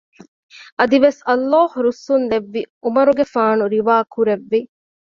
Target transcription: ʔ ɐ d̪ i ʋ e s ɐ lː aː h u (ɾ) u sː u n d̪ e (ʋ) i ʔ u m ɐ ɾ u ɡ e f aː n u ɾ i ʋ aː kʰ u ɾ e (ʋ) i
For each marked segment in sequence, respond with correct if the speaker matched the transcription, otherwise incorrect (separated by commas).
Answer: correct, incorrect, incorrect